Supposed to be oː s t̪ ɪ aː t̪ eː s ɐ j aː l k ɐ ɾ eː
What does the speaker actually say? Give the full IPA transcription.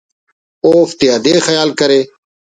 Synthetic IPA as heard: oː f t̪ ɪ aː d̪ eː x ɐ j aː l k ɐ ɾ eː